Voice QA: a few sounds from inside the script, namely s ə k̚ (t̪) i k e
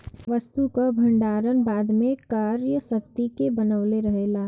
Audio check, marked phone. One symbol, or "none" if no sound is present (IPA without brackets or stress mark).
t̪